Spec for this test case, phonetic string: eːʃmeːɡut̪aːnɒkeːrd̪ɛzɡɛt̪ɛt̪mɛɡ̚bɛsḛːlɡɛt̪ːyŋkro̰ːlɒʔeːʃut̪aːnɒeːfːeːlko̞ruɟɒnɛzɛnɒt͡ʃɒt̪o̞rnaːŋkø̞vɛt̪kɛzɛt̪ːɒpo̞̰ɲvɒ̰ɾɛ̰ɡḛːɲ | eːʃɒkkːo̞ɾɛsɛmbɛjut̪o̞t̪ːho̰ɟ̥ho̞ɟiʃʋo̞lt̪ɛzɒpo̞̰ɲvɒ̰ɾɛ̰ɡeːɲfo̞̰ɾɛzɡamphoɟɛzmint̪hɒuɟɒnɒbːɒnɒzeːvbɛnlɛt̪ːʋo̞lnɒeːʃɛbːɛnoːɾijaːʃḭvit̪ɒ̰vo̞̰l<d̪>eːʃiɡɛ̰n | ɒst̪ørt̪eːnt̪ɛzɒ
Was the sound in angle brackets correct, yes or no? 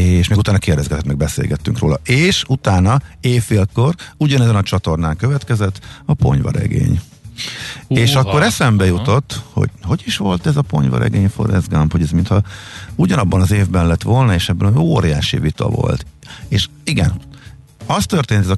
no